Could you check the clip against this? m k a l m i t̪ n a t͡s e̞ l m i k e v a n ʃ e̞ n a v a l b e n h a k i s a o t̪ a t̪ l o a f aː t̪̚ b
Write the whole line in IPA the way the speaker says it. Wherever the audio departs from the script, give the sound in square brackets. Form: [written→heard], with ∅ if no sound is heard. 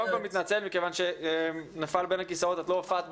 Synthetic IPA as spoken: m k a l m i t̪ n a t͡s e̞ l m i k e v a n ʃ e̞ n a [v→f] a l b e n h a k i s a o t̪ a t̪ l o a f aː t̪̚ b